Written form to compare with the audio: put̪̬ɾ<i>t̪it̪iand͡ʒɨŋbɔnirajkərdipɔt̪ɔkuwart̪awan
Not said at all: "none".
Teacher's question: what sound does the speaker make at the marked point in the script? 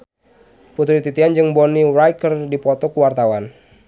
i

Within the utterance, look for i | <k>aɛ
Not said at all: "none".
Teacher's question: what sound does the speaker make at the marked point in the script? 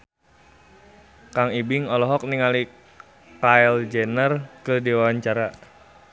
k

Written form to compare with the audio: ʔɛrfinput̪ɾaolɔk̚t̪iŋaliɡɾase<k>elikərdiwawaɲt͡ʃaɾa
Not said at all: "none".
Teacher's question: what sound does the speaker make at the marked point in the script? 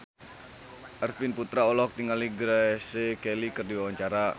k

